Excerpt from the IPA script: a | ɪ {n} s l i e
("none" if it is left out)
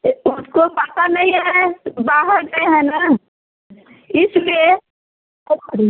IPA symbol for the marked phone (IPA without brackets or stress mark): none